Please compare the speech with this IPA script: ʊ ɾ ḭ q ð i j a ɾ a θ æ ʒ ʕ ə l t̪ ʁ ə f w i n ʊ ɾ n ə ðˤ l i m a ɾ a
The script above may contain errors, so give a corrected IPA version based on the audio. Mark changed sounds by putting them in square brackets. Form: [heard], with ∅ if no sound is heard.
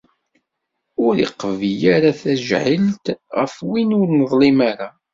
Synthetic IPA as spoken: ʊ ɾ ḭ q [v] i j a ɾ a θ æ ʒ ʕ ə l t̪ ʁ ə f w i n ʊ ɾ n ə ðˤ l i m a ɾ a